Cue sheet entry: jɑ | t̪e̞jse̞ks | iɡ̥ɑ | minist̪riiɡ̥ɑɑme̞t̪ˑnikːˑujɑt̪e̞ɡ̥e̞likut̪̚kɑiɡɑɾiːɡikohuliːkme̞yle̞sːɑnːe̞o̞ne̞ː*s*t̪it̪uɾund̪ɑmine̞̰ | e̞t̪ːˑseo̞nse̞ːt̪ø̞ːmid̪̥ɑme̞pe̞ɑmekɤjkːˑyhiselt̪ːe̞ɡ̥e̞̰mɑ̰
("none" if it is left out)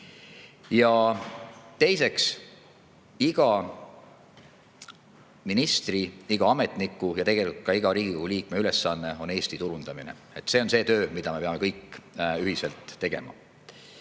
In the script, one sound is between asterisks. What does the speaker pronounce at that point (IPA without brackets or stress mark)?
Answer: s